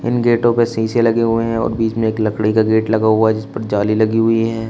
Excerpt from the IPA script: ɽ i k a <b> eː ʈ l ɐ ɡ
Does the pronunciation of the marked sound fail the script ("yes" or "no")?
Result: yes